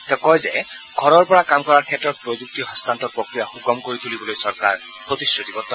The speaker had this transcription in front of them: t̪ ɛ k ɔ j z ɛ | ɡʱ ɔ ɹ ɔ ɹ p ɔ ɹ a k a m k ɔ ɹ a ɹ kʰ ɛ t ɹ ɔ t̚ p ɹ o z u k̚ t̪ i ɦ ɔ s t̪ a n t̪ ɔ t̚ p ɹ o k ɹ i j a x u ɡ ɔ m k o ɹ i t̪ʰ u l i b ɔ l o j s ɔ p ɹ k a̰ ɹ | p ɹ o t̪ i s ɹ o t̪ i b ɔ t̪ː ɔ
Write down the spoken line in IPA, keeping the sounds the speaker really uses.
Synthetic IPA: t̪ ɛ k ɔ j z ɛ | ɡʱ ɔ ɹ ɔ ɹ p ɔ ɹ a k a m k ɔ ɹ a ɹ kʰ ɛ t ɹ ɔ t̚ p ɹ o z u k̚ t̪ i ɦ ɔ s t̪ a n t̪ ɔ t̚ p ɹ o k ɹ i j a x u ɡ ɔ m k o ɹ i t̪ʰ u l i b ɔ l o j s ɔ ɹ k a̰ ɹ | p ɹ o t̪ i s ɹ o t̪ i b ɔ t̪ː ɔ